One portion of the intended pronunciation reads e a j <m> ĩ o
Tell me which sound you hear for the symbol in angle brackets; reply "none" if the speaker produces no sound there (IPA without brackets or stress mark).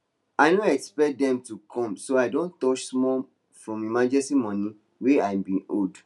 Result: b